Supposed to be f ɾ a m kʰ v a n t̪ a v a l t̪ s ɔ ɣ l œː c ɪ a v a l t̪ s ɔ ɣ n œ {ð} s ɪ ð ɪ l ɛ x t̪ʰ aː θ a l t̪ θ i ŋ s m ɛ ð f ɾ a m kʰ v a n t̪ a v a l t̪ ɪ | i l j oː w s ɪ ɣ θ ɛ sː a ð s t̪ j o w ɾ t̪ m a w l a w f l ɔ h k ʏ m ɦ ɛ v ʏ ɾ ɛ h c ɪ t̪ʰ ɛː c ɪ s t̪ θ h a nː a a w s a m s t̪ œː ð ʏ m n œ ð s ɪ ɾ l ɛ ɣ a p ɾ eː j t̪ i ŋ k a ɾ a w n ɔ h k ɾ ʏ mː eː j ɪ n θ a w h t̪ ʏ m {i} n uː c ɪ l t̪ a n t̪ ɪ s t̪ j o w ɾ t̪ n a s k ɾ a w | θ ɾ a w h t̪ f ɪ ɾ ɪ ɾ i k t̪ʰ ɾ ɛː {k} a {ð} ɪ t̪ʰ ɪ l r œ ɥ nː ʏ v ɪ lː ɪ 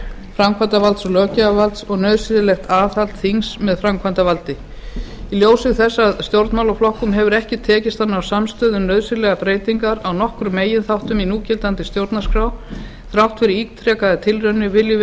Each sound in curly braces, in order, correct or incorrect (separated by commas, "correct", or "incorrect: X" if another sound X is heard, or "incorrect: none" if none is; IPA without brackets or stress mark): correct, correct, correct, correct